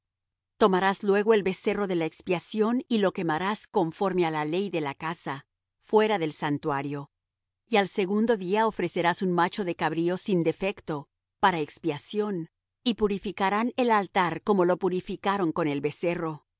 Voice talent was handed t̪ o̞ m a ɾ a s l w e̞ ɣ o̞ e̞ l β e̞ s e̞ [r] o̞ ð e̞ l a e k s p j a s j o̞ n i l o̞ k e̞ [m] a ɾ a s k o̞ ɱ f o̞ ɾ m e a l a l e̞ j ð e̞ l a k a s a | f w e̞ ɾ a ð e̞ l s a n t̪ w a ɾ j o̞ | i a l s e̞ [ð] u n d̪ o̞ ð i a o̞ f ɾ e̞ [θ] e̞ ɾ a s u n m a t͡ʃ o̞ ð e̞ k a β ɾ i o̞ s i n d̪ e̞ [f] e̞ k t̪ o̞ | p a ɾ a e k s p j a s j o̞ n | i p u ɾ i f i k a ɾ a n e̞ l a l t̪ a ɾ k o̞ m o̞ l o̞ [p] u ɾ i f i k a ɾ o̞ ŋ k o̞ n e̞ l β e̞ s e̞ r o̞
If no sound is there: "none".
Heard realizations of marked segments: r, m, ɣ, s, f, p

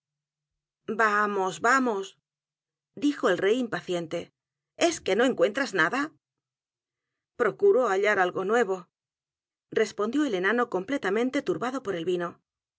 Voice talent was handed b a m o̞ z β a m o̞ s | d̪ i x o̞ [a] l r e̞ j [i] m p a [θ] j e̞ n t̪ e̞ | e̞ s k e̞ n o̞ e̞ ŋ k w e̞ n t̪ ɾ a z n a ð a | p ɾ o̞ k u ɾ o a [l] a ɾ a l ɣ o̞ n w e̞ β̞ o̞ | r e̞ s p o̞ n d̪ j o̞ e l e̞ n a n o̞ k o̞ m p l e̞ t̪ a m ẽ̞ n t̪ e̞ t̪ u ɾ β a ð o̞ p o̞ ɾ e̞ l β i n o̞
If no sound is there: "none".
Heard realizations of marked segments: e, i, θ, ʎ

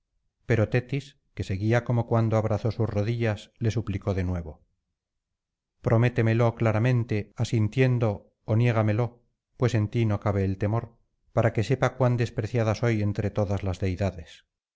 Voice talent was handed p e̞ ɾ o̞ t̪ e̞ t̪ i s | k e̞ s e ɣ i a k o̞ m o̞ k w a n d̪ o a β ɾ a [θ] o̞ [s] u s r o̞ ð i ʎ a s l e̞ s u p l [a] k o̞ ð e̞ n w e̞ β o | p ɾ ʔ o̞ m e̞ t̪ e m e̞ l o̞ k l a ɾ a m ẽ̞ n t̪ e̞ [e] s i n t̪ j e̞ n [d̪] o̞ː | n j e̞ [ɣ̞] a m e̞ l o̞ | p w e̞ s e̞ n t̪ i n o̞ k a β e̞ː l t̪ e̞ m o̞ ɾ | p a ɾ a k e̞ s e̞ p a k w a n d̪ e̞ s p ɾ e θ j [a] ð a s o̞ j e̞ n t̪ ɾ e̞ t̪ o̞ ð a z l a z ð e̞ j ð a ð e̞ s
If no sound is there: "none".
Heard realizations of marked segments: θ, s, i, a, d̪, ɣ̞, a

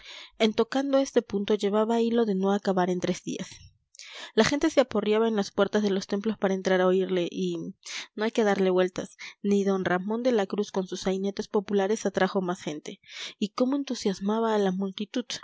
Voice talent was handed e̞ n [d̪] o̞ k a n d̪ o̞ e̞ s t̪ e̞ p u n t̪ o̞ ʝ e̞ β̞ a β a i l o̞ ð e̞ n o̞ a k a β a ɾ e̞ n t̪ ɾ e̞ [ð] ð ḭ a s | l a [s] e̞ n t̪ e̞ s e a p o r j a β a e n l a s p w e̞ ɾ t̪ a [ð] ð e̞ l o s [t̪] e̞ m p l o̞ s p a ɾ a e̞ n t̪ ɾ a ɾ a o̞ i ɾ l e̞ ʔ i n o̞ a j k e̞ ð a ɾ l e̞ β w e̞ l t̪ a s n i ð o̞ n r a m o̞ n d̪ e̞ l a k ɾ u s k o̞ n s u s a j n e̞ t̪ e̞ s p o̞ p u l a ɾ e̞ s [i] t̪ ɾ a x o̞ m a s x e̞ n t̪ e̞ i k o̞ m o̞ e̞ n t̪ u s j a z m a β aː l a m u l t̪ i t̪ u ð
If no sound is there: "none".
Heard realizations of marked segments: t̪, z, x, z, t̪, a

